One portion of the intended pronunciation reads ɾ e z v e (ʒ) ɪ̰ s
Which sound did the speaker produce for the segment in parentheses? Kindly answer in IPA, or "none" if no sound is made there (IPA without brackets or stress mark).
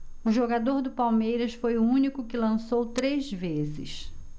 z